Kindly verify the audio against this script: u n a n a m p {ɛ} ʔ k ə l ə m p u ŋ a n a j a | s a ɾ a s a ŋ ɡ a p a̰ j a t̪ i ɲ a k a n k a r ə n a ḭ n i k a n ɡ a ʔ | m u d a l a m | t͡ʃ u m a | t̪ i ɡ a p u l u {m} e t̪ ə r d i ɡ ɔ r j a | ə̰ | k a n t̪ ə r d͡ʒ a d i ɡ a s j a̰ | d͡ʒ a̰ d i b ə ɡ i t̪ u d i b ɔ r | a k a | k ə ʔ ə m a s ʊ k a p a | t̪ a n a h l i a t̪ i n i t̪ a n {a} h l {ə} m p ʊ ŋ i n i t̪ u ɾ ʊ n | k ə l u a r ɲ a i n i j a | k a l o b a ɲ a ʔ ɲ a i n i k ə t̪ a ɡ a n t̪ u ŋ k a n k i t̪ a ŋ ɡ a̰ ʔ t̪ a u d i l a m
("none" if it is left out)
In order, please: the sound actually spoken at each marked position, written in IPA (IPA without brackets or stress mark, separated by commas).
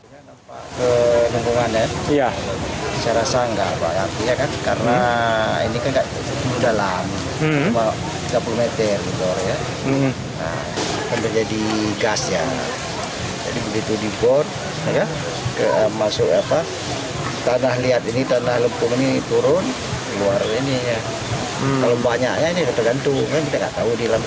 a, m, a, ə